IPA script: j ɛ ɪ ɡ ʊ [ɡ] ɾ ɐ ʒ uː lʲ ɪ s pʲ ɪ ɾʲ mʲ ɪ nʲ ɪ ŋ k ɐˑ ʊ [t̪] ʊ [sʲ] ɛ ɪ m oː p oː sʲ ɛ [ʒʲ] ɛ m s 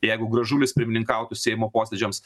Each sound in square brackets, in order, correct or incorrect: correct, correct, correct, incorrect

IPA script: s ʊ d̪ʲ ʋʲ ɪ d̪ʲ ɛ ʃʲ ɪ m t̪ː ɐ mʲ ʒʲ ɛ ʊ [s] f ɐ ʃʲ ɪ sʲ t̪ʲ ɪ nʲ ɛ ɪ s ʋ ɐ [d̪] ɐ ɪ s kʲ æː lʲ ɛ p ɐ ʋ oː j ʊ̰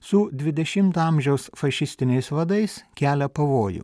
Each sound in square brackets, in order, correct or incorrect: correct, correct

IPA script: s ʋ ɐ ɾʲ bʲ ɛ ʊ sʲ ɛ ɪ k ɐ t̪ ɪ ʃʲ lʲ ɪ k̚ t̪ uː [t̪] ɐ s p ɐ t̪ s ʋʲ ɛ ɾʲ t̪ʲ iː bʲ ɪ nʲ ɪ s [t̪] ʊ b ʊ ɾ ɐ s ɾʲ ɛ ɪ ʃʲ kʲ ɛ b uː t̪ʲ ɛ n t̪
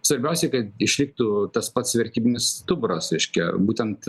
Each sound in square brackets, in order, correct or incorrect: correct, correct

